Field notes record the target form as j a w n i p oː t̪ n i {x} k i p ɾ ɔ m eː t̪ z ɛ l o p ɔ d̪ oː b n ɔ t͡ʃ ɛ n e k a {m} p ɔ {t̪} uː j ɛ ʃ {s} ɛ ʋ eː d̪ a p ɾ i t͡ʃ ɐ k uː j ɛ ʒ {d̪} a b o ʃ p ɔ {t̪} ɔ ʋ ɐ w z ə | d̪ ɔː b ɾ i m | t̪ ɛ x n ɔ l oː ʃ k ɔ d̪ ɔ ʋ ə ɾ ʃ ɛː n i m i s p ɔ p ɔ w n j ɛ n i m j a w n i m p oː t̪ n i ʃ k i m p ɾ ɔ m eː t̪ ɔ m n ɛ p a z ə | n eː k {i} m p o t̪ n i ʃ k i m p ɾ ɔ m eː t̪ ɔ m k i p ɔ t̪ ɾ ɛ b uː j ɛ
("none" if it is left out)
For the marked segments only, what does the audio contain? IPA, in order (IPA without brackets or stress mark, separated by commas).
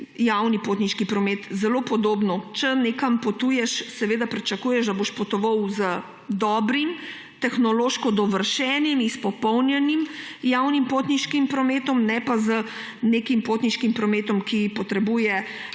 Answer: ʃ, m, t̪, s, d̪, t̪, i